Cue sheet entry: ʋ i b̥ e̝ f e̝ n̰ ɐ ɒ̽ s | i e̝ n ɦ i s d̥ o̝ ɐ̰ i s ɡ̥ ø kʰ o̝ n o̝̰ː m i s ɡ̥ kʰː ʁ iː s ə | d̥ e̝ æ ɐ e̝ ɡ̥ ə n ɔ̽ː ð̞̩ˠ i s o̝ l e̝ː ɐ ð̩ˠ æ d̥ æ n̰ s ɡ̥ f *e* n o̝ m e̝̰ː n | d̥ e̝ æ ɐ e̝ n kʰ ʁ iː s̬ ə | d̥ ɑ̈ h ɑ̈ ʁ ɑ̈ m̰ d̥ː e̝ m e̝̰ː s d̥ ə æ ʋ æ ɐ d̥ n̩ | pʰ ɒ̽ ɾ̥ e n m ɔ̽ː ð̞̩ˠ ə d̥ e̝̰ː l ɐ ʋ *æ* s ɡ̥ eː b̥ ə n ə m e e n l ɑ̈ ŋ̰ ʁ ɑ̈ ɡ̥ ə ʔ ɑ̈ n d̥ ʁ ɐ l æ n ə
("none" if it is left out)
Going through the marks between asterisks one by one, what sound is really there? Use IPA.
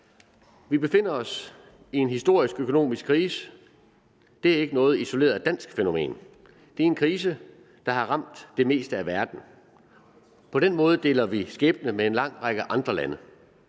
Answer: e, i

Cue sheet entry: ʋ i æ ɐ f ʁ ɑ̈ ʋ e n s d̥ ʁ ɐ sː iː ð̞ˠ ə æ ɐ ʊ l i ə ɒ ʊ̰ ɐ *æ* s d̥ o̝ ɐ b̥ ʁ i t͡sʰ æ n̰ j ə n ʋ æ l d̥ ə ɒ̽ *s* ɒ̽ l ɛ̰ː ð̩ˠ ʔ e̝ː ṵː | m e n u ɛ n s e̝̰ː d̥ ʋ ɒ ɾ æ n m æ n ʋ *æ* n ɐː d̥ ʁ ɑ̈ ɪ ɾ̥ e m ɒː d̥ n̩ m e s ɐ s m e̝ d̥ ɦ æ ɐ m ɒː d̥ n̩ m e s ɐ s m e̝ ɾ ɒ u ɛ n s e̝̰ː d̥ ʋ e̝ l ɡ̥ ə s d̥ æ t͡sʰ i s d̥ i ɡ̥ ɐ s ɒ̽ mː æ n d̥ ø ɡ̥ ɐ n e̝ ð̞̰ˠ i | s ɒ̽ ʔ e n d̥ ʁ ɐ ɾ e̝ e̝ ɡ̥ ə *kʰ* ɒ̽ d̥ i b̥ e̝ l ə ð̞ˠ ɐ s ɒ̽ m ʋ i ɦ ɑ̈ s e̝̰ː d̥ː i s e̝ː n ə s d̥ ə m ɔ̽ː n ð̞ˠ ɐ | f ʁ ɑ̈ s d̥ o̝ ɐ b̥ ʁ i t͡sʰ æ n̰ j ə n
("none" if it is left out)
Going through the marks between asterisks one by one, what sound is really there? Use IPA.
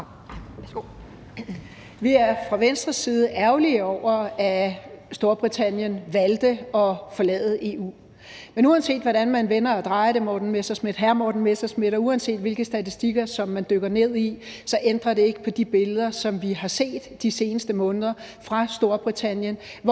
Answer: æ, f, e, pʰ

